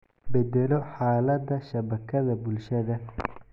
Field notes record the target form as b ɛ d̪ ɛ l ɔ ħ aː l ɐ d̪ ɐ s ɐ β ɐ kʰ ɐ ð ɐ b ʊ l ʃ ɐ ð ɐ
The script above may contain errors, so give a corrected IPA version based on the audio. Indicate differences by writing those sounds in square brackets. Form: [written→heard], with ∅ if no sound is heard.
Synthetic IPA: b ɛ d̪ ɛ l ɔ ħ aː l ɐ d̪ ɐ [s→ʃ] ɐ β ɐ kʰ ɐ ð ɐ b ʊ l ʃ ɐ ð ɐ